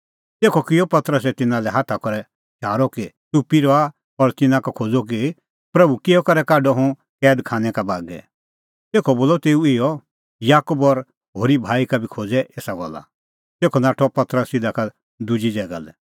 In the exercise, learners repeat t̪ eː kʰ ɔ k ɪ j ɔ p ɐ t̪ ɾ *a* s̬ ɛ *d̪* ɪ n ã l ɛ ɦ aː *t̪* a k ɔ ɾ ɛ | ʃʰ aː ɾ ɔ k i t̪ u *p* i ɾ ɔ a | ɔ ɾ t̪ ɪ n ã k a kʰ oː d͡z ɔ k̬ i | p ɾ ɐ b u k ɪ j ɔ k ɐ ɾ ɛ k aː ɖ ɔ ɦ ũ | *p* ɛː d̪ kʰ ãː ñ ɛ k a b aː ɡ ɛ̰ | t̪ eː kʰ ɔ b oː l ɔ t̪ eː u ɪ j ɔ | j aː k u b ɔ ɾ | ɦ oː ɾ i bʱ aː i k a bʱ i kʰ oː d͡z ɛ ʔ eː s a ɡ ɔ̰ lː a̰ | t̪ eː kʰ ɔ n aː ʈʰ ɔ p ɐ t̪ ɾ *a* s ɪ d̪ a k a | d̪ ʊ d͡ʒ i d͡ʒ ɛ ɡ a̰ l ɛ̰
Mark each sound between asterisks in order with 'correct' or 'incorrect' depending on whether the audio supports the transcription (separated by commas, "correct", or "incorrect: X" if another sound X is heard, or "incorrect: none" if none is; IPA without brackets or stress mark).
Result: incorrect: ə, incorrect: t̪, incorrect: t̪ʰ, correct, incorrect: k, incorrect: ə